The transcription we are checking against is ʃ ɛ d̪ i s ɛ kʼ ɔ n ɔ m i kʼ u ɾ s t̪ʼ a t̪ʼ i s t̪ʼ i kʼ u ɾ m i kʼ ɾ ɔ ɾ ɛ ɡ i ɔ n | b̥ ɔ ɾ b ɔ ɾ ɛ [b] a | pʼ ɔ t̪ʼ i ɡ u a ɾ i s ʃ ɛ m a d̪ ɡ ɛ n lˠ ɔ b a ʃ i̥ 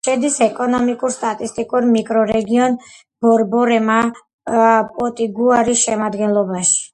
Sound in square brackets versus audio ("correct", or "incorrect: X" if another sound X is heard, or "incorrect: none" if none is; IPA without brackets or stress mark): incorrect: m